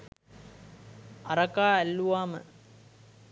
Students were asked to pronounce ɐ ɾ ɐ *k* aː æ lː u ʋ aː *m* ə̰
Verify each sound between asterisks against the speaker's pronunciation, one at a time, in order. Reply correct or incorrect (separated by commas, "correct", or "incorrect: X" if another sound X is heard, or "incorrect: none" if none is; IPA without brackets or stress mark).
correct, correct